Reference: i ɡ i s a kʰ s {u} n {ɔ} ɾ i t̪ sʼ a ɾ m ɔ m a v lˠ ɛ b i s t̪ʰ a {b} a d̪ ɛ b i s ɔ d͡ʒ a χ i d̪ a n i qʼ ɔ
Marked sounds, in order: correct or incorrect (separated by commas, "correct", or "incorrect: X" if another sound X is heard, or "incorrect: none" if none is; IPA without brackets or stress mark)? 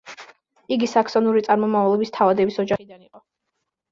incorrect: ɔ, incorrect: u, incorrect: v